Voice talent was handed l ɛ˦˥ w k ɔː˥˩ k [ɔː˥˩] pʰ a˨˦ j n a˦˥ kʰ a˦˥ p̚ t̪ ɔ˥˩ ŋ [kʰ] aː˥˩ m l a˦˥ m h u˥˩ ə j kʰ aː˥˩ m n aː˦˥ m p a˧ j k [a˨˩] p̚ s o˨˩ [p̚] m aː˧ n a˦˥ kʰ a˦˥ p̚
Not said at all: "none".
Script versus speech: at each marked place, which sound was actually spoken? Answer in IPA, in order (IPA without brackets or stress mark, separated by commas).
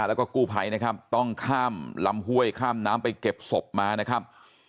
uː˥˩, kʰ, e˨˩, p̚